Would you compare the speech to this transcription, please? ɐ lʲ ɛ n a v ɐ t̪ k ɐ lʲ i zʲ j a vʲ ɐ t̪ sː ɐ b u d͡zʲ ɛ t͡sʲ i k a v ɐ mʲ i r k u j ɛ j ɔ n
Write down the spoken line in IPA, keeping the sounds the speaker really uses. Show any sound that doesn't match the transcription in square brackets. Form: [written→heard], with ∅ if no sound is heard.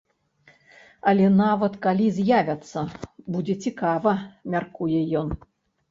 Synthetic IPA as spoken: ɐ lʲ ɛ n a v ɐ t̪ k [ɐ→a] lʲ i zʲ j a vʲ ɐ t̪ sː ɐ b u d͡zʲ ɛ t͡sʲ i k a v ɐ mʲ [i→a] r k u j ɛ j ɔ n